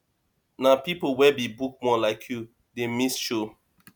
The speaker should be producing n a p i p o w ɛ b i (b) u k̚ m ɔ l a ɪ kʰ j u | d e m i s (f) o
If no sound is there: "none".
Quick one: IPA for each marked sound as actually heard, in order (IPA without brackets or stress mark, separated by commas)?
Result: b, ʃ